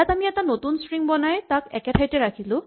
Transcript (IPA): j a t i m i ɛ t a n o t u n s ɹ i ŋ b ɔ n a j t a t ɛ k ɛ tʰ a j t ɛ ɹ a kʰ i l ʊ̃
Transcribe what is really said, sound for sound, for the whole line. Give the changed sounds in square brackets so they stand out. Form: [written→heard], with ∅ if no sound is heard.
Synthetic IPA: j a t [i→a] m i ɛ t a n o t u n s ɹ i ŋ b ɔ n a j t a [t→k] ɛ k ɛ tʰ a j t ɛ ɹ a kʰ i l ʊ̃